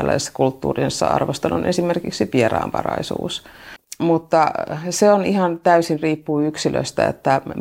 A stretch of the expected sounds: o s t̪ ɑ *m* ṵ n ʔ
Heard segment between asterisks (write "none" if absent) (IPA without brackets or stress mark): n